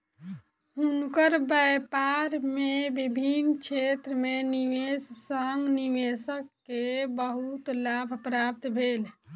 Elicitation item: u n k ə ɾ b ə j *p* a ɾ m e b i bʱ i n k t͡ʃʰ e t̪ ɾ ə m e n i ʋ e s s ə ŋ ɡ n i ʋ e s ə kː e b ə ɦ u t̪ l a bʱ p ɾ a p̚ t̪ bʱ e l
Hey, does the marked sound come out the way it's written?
yes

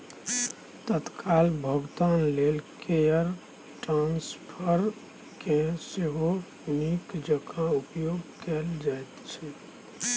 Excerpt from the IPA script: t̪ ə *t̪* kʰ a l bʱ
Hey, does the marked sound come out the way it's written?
yes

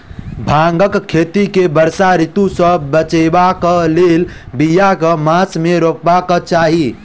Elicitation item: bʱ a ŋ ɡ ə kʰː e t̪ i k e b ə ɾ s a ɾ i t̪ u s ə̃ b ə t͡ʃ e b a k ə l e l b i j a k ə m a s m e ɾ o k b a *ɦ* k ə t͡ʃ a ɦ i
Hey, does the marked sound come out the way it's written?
no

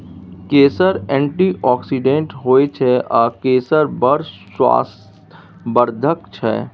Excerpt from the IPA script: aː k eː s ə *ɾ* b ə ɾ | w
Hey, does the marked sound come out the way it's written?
yes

